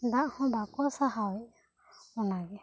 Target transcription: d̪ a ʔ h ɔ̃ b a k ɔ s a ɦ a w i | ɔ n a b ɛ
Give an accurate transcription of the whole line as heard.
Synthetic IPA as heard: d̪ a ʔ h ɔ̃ b a k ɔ s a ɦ a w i | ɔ n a ɡ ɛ

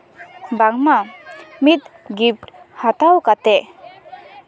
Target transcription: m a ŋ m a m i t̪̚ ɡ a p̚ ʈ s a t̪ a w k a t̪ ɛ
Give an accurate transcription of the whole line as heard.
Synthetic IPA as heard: b a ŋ m a m i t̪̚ ɡ i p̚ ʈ h a t̪ a w k a t̪ ɛ

